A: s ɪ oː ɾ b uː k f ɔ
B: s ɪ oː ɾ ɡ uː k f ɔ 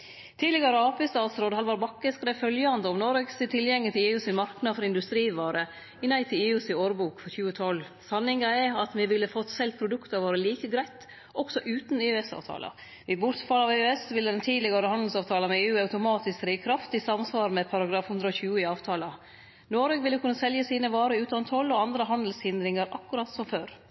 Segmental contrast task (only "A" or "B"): A